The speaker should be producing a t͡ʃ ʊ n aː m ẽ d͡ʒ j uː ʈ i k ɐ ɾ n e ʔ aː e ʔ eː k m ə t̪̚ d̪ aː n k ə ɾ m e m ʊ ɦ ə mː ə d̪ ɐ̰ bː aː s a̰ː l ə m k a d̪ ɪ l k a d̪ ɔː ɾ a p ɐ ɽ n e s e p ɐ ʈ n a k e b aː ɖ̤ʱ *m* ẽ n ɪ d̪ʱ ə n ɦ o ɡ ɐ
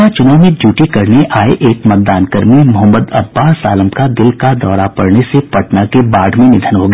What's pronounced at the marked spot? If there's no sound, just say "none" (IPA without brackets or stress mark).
m